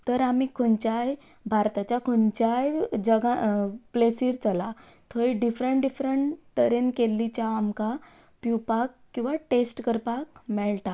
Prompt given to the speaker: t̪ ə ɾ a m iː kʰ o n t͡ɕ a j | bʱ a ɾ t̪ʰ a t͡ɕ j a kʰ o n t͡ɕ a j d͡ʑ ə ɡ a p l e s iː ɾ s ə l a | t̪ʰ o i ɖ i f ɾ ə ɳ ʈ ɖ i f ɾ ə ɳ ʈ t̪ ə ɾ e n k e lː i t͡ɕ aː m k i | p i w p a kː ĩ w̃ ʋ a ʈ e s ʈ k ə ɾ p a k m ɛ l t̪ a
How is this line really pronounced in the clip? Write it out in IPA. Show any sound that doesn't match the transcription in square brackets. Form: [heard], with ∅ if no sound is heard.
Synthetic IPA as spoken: t̪ ə ɾ a m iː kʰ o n t͡ɕ a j | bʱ a ɾ [t̪] a t͡ɕ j a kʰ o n t͡ɕ a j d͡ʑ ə ɡ a p l e s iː ɾ [t͡s] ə l a | t̪ʰ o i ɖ i f ɾ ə ɳ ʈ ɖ i f ɾ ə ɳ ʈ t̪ ə ɾ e n k e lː i t͡ɕ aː m k [a] | p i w p a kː ĩ w̃ ʋ a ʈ e s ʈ k ə ɾ p a k m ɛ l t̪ a

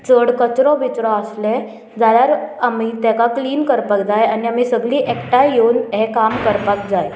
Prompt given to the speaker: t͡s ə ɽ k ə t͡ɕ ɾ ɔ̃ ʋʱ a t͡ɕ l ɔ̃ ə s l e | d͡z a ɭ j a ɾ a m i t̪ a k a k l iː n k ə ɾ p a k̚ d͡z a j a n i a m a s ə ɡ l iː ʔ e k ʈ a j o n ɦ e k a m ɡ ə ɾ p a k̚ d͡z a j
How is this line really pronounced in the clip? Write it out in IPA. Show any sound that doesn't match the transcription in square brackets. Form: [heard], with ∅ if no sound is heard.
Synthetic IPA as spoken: t͡s ə ɽ k ə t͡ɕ ɾ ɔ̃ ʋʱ [i] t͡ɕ [ɾ] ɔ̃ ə s l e | d͡z a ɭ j a ɾ a m i t̪ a k a k l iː n k ə ɾ p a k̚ d͡z a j a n i a m [i] s ə ɡ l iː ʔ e k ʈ a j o n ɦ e k a m [k] ə ɾ p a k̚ d͡z a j

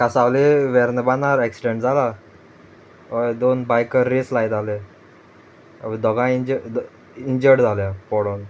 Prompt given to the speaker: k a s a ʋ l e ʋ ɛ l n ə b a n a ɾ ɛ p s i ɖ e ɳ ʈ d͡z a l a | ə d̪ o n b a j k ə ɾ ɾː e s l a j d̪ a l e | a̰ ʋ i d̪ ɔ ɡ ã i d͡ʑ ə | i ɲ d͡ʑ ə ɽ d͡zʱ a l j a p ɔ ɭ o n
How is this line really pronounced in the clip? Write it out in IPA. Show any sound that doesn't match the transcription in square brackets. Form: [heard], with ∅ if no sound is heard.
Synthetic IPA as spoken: k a s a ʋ l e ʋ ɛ [ɾ] n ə b a n a ɾ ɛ [k] s i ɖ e ɳ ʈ d͡z a l a | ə d̪ o n b a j k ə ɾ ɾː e s l a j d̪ a l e | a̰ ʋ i d̪ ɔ ɡ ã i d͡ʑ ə | i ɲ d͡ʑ ə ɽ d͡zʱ a l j a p ɔ [ɽ] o n

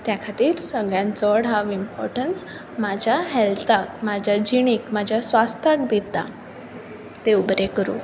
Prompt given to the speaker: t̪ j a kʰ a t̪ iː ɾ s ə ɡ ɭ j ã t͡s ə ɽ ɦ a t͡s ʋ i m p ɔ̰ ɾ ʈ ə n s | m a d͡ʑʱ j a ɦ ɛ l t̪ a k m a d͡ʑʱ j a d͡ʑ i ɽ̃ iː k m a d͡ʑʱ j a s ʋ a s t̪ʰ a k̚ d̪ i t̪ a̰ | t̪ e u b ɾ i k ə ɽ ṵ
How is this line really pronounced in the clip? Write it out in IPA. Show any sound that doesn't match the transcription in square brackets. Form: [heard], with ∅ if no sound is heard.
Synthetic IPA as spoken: t̪ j a kʰ a t̪ iː ɾ s ə ɡ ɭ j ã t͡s ə ɽ ɦ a [∅] ʋ i m p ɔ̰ ɾ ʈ ə n s | m a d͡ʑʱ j a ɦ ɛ l t̪ a k m a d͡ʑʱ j a d͡ʑ i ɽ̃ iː k m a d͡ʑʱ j a s ʋ a s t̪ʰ a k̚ d̪ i t̪ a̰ | t̪ e u b ɾ [e] k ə [ɾ] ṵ

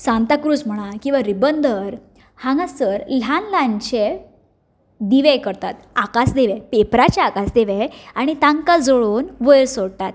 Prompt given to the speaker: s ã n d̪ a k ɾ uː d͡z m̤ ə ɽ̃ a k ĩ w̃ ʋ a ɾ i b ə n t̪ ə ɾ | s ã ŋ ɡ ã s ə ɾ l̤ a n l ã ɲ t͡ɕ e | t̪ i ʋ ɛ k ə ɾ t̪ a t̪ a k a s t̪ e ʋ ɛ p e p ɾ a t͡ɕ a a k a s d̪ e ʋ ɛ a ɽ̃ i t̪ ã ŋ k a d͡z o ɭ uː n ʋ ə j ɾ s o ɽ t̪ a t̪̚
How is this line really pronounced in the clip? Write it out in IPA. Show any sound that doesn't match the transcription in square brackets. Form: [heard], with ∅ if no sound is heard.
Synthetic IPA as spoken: s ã n [t̪] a k ɾ uː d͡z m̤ ə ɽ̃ a k ĩ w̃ ʋ a ɾ i b ə n [d̪] ə ɾ | [h] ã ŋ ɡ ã s ə ɾ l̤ a n l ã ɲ t͡ɕ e | [d̪] i ʋ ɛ k ə ɾ t̪ a t̪ a k a s [d̪] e ʋ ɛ p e p ɾ a t͡ɕ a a k a s d̪ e ʋ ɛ a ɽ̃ i t̪ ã ŋ k a d͡z o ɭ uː n ʋ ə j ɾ s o ɽ t̪ a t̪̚

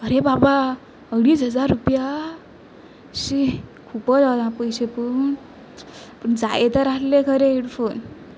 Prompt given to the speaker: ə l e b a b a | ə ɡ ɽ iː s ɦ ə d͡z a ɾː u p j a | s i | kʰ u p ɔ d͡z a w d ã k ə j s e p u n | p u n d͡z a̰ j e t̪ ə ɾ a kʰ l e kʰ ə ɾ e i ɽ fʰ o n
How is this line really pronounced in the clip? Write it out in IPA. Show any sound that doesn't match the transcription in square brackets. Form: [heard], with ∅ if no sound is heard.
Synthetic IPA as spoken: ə [ɾ] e b a b a | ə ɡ ɽ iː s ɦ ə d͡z a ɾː u p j a | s i | kʰ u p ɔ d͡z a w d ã [p] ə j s e p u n | p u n d͡z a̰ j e t̪ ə ɾ a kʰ l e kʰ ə ɾ e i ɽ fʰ o n

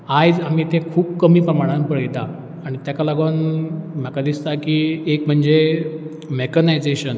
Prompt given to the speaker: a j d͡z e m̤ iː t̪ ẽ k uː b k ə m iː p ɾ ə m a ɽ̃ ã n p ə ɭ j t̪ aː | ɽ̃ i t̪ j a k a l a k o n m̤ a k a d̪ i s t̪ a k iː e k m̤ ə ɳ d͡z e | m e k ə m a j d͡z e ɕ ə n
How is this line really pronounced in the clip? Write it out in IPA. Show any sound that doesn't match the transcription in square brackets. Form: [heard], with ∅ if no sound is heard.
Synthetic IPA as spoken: a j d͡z [a] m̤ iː t̪ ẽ [kʰ] uː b k ə m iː p ɾ ə m a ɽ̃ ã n p ə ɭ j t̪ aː | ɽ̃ i t̪ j a k a l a [ɡ] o n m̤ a k a d̪ i s t̪ a k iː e k m̤ ə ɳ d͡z e | m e k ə [n] a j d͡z e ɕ ə n

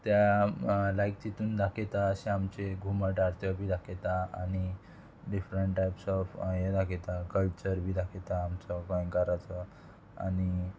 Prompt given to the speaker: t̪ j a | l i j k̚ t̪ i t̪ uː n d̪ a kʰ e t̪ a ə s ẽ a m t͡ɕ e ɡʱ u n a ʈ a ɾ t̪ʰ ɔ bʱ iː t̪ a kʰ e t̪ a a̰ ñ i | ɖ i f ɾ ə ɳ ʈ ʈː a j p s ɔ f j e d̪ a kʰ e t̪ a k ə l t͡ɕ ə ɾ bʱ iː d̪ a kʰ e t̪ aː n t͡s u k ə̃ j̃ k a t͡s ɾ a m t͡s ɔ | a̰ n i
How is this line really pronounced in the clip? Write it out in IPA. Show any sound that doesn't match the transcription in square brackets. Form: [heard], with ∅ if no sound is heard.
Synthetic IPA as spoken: t̪ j a | l [a] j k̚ t̪ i t̪ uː n d̪ a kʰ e t̪ a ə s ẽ a m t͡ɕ e ɡʱ u [m] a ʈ a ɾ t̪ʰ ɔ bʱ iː [d̪] a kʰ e t̪ a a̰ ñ i | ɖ i f ɾ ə ɳ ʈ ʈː a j p s ɔ f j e d̪ a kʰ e t̪ a k ə l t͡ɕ ə ɾ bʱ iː d̪ a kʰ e t̪ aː [m] t͡s [ɔ] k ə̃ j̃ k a [∅] ɾ a [∅] t͡s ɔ | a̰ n i

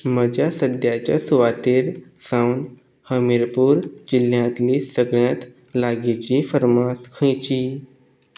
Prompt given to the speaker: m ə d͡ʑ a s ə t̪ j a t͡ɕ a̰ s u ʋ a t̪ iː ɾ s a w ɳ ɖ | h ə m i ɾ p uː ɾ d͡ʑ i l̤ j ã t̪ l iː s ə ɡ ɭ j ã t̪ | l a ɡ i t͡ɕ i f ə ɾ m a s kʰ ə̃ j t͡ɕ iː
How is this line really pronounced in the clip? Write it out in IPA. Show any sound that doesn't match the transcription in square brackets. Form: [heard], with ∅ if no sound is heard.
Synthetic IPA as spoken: m ə d͡ʑ a s ə [d̪] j a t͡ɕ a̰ s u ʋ a t̪ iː ɾ s a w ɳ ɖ | h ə m i ɾ p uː ɾ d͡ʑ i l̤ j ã t̪ l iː s ə ɡ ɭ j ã t̪ | l a ɡ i t͡ɕ i f ə ɾ m a s kʰ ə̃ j t͡ɕ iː

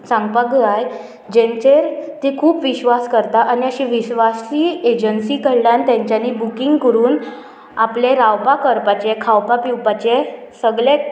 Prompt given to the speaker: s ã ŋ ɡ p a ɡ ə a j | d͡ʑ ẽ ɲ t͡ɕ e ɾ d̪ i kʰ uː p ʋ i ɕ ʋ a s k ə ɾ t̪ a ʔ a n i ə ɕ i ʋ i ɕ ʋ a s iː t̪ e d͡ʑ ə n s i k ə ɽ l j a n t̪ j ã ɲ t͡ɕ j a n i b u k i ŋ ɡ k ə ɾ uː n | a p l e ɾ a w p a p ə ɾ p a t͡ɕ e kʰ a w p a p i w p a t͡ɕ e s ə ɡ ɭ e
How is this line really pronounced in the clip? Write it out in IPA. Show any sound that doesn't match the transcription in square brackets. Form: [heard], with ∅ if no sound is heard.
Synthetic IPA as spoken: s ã ŋ ɡ p a ɡ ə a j | d͡ʑ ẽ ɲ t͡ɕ e ɾ [t̪] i kʰ uː p ʋ i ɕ ʋ a s k ə ɾ t̪ a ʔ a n i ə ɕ i ʋ i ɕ ʋ a s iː [∅] e d͡ʑ ə n s i k ə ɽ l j a n t̪ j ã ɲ t͡ɕ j a n i b u k i ŋ ɡ k ə ɾ uː n | a p l e ɾ a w p a [k] ə ɾ p a t͡ɕ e kʰ a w p a p i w p a t͡ɕ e s ə ɡ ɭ e

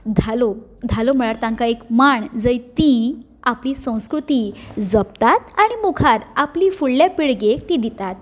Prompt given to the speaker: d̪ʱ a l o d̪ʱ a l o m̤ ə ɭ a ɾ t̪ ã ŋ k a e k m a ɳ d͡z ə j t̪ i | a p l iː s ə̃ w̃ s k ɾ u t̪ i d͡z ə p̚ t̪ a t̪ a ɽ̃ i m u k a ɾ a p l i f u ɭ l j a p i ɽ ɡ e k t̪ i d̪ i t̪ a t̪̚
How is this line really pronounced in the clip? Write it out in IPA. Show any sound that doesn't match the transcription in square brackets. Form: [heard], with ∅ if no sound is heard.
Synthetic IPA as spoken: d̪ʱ a l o d̪ʱ a l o m̤ ə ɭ a ɾ t̪ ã ŋ k a e k m a ɳ d͡z ə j t̪ i | a p l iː s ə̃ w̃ s k ɾ u t̪ i d͡z ə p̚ t̪ a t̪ a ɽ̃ i m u [kʰ] a ɾ a p l i f u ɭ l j a p i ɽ ɡ e k t̪ i d̪ i t̪ a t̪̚

